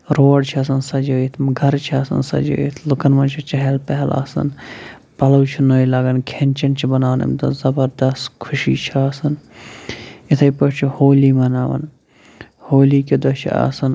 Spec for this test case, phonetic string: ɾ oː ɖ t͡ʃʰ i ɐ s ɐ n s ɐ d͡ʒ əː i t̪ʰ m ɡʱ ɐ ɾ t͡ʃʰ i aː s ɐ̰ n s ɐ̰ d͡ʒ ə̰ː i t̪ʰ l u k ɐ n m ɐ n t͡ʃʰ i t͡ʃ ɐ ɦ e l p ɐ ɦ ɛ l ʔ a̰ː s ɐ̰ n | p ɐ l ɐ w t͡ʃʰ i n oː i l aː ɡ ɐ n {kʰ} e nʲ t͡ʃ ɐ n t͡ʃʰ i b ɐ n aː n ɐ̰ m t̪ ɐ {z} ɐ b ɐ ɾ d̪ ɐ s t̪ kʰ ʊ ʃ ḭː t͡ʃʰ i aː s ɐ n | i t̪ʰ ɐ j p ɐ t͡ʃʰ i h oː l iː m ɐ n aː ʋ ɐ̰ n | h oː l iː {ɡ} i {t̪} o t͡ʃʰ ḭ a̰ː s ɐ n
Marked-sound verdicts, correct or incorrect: correct, correct, incorrect: k, incorrect: d̪

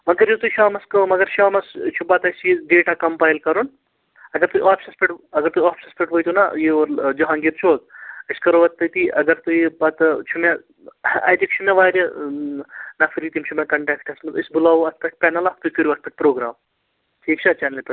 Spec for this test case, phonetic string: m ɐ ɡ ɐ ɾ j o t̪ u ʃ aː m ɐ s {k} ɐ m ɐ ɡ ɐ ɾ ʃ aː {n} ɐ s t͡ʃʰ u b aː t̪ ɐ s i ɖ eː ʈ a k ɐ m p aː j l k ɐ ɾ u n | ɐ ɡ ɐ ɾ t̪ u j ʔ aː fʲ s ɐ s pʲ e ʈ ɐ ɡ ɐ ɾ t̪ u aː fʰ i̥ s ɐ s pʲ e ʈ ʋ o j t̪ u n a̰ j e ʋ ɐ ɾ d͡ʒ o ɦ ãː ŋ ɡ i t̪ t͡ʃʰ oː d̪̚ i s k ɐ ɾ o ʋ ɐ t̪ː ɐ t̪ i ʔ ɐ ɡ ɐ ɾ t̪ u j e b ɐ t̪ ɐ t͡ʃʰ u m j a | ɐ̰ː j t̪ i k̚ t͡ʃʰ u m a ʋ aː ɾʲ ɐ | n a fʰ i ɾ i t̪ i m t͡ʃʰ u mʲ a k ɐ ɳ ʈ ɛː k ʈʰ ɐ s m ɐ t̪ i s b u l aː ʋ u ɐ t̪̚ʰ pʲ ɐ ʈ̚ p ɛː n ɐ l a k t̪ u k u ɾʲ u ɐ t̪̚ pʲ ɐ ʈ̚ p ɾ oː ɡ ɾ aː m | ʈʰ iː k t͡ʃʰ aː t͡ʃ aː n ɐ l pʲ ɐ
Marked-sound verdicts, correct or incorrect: correct, incorrect: m

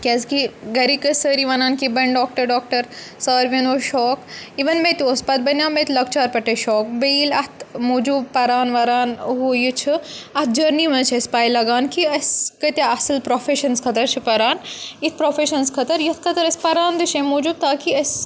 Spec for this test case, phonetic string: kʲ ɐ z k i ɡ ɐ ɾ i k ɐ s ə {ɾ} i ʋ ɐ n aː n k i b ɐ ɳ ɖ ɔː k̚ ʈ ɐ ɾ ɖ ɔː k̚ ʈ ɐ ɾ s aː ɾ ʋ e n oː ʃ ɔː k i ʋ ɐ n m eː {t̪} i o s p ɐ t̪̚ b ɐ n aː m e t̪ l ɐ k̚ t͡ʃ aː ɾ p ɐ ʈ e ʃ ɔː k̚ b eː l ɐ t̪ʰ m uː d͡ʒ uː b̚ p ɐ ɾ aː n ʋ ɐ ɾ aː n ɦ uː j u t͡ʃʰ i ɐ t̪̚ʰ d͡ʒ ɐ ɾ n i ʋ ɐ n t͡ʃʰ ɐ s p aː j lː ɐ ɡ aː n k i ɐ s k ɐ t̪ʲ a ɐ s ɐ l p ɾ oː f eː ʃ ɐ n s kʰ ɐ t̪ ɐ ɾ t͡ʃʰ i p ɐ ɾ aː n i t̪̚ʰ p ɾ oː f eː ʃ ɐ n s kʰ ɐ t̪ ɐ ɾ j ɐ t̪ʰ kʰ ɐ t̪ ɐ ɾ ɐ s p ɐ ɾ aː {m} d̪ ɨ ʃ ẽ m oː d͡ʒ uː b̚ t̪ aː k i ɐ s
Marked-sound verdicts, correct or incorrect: correct, correct, incorrect: n

